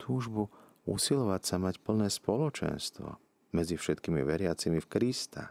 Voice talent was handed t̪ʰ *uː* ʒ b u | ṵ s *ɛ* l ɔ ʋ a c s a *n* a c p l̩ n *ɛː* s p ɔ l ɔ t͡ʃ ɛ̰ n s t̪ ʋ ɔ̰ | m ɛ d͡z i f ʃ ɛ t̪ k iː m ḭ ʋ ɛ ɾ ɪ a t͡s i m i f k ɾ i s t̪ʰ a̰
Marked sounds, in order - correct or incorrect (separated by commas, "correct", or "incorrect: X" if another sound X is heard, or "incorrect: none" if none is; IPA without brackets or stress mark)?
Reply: correct, incorrect: i, incorrect: m, correct